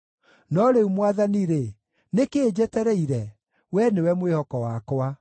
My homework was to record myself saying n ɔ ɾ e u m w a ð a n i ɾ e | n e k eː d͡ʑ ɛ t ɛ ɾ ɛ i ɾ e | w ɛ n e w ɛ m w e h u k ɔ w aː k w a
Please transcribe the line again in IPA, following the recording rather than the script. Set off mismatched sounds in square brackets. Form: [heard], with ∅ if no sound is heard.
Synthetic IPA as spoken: n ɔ ɾ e u m w a ð a n i ɾ e | n e k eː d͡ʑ ɛ t ɛ ɾ ɛ i ɾ [ɛ] | w ɛ n e w ɛ m w e h [ɔ] k ɔ w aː k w a